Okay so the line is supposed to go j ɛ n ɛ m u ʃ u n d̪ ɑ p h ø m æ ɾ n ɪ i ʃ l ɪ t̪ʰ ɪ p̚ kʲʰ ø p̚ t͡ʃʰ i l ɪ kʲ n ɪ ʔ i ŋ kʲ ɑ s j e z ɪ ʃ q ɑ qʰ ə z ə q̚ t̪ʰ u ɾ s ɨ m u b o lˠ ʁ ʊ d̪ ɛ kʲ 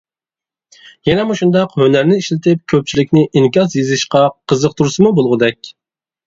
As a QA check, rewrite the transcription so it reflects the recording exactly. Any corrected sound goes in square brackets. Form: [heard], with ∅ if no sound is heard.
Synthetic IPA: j ɛ n ɛ m u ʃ u n d̪ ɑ [q] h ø [n] æ ɾ n ɪ i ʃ l ɪ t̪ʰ ɪ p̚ kʲʰ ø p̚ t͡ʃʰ i l ɪ kʲ n ɪ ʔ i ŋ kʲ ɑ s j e z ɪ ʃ q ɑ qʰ ə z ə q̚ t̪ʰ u ɾ s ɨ m u b o lˠ ʁ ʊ d̪ ɛ kʲ